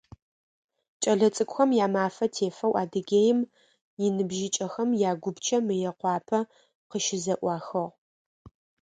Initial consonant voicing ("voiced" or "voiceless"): voiceless